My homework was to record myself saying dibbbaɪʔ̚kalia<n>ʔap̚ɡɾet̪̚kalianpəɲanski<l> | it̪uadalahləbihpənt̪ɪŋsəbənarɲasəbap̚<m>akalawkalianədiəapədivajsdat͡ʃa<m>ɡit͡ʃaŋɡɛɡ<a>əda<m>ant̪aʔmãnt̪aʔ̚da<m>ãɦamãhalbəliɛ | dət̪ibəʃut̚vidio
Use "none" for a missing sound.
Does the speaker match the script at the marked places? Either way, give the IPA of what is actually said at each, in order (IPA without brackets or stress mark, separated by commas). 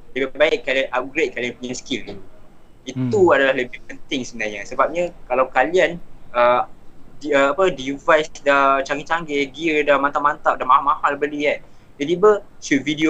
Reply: n, l, ɲ, ŋ, i, m, m